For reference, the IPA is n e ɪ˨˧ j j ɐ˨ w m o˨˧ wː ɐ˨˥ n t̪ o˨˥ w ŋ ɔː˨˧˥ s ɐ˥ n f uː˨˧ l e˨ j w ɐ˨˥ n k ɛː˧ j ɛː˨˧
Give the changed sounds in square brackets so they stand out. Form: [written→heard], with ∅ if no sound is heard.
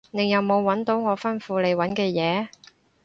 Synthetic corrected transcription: n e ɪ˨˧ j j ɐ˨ w m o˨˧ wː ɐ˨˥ n t̪ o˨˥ w ŋ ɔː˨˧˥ [s→f] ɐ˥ n f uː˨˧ l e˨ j w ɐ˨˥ n k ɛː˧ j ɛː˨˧